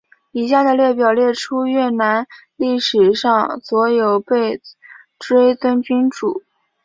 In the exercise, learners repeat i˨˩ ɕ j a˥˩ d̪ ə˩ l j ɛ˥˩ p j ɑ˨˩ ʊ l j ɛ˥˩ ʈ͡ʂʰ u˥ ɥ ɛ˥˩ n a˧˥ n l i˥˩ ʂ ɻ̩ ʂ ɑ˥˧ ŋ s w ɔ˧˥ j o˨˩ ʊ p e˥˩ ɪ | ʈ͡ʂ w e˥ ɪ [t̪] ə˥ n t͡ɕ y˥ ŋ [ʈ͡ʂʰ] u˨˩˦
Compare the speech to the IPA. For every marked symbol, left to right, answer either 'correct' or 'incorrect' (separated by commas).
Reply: correct, incorrect